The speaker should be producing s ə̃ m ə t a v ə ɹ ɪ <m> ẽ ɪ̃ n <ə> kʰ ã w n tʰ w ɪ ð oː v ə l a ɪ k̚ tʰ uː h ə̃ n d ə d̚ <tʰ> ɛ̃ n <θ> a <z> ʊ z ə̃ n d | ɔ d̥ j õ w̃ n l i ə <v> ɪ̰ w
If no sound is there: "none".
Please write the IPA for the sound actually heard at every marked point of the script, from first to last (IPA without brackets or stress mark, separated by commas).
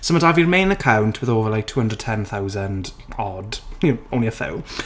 m, ə, tʰ, θ, none, f